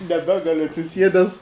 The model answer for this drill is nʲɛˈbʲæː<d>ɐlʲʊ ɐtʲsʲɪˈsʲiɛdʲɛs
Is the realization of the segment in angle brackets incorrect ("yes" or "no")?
yes